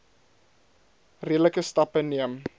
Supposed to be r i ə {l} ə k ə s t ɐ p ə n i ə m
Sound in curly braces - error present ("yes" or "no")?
no